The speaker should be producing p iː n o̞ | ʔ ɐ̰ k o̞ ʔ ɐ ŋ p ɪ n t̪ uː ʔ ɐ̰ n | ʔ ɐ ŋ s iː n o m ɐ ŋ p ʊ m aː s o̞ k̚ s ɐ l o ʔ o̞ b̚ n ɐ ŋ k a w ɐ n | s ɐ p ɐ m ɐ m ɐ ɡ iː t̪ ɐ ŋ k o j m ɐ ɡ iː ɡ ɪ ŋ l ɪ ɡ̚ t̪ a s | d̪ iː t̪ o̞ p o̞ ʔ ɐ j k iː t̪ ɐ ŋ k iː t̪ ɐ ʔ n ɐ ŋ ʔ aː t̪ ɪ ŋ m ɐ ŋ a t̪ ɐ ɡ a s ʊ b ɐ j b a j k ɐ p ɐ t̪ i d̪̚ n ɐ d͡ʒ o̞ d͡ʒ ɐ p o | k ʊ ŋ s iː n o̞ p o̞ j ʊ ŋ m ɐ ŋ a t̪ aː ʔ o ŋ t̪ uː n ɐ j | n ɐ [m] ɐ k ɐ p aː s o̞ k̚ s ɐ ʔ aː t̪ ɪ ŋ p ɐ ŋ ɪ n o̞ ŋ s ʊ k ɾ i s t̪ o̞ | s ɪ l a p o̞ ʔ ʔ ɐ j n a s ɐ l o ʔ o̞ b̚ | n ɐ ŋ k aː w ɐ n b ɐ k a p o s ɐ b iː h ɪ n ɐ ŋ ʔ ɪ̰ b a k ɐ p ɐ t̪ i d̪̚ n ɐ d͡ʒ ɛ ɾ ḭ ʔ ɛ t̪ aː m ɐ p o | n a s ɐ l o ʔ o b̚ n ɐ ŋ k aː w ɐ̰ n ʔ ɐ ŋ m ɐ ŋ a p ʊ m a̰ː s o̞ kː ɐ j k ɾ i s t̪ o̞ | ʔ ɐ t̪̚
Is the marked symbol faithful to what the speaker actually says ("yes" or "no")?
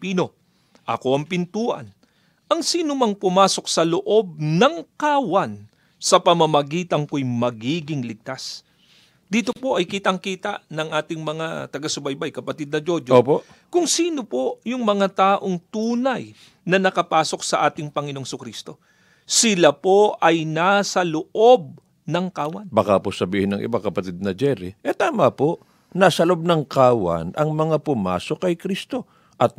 no